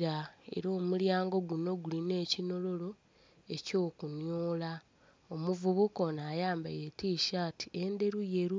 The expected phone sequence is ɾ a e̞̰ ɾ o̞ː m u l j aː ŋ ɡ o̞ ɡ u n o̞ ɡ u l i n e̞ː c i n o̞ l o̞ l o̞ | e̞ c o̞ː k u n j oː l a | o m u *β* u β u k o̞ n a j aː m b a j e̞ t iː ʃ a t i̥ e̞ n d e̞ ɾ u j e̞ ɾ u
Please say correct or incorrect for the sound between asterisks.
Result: incorrect: v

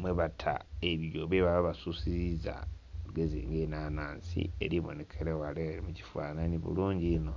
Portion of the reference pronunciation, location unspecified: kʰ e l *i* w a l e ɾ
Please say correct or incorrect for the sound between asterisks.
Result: incorrect: e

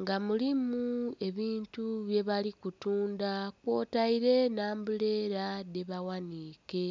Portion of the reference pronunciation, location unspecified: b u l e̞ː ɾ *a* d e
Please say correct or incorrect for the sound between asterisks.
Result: correct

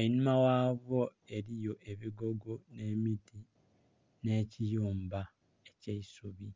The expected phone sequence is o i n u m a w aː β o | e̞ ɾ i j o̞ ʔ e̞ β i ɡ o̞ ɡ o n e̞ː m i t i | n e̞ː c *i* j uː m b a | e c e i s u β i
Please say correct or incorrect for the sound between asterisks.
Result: correct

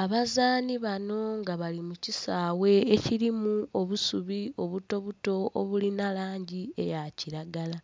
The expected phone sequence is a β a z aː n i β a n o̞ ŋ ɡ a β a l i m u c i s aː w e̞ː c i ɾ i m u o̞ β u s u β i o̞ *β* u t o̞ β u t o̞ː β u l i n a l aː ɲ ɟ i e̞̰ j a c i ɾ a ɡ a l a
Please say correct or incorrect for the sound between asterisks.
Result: correct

